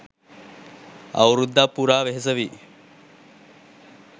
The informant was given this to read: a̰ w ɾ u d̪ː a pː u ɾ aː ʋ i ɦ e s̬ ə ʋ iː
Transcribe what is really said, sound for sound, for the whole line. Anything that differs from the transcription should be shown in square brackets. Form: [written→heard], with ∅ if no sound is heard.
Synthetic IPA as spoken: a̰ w ɾ u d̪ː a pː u ɾ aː ʋ [i→e] ɦ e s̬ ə ʋ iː